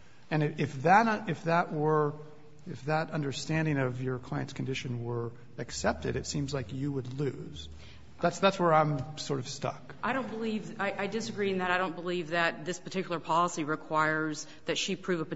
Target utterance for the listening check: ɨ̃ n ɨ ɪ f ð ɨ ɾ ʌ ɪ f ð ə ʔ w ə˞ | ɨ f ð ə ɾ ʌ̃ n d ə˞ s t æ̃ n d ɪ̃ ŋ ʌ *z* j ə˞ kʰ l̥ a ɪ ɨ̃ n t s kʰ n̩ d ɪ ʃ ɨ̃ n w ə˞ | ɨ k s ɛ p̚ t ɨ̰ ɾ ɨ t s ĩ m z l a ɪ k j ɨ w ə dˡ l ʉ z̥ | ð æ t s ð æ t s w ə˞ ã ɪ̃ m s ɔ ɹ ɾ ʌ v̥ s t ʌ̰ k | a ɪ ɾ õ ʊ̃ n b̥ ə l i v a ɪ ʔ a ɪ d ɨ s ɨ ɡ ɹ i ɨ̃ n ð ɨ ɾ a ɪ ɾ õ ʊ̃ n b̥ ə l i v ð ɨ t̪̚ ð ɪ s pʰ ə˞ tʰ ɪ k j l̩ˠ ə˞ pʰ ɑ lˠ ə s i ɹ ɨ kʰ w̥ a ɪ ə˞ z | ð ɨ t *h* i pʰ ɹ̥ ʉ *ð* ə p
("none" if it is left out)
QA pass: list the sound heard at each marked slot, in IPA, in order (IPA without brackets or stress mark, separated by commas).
v, ʃ, v